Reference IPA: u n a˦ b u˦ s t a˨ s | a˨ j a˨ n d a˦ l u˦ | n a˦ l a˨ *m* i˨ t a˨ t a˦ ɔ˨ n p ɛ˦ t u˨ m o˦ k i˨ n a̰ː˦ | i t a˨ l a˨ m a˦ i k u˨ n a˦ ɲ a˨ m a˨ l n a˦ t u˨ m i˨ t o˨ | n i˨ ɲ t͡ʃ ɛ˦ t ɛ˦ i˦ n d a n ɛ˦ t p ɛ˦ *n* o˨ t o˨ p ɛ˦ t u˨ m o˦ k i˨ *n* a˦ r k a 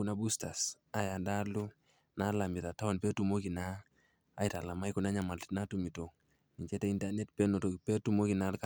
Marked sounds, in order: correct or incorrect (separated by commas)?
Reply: correct, correct, correct